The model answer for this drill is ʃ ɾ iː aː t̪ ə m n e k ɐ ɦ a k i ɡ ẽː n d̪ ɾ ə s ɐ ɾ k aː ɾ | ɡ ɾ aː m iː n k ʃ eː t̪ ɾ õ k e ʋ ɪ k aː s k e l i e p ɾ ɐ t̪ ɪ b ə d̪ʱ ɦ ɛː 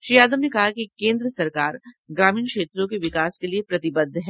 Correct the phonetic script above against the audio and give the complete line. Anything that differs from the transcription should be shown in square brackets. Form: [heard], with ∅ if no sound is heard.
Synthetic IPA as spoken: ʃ ɾ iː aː [d̪] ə m n e k ɐ ɦ a k i [k] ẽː n d̪ ɾ ə s ɐ ɾ k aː ɾ | ɡ ɾ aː m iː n k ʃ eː t̪ ɾ õ k e ʋ ɪ k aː s k e l i e p ɾ ɐ t̪ ɪ b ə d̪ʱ ɦ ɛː